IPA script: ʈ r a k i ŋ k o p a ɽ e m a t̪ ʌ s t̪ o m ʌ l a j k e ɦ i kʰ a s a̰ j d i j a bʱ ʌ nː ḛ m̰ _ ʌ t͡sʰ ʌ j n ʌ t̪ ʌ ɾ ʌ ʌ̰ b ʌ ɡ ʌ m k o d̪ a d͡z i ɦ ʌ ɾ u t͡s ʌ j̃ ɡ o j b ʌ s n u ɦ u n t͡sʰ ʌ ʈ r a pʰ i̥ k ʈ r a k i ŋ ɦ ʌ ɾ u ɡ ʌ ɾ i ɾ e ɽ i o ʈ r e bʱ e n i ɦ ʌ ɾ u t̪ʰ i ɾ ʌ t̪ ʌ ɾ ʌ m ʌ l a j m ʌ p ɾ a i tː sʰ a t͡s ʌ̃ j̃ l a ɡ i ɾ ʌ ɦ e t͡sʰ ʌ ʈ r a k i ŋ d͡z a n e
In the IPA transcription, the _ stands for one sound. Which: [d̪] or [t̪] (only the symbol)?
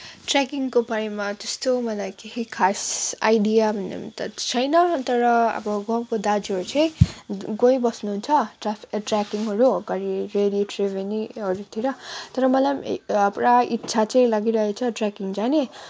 t̪